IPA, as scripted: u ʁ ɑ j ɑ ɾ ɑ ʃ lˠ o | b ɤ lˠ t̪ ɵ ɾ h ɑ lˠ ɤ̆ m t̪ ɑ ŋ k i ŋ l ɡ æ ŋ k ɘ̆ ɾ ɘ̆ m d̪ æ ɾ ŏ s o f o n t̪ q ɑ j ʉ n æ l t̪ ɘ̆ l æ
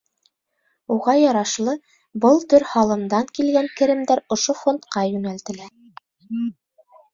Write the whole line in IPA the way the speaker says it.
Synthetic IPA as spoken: u ʁ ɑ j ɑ ɾ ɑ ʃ lˠ ɤ | b ɤ lˠ t̪ ɵ ɾ h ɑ lˠ ɤ̆ m d̪ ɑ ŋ k i l ɡ æ ŋ k ɘ̆ ɾ ɘ̆ m d̪ æ ɾ ŏ ʃ o f o n t̪ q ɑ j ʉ n æ l t̪ ɘ̆ l æ